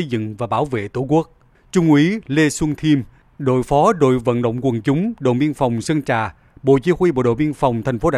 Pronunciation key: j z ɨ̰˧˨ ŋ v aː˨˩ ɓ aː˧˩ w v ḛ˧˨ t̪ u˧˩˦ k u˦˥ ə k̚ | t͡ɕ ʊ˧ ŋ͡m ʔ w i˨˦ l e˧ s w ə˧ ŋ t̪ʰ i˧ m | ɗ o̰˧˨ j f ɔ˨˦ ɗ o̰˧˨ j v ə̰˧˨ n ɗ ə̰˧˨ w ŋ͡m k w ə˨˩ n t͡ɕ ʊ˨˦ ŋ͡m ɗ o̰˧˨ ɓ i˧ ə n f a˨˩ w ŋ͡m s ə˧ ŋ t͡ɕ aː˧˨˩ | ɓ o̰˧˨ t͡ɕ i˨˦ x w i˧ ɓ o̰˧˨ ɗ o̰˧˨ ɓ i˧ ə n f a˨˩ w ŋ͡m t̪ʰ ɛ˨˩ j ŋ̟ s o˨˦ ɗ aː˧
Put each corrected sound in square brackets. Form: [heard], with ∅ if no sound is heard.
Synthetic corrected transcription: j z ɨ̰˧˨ ŋ v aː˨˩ ɓ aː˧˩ w v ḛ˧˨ t̪ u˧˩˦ k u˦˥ ə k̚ | t͡ɕ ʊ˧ ŋ͡m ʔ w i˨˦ l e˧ s w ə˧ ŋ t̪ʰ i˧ m | ɗ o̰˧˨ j f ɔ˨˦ ɗ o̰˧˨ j v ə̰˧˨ n ɗ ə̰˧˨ w ŋ͡m k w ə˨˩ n t͡ɕ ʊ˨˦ ŋ͡m ɗ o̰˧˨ ɓ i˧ ə n f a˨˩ w ŋ͡m s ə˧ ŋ t͡ɕ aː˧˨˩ | ɓ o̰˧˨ t͡ɕ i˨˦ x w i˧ ɓ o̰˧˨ ɗ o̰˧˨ ɓ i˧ ə n f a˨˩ w ŋ͡m t̪ʰ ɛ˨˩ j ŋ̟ [f] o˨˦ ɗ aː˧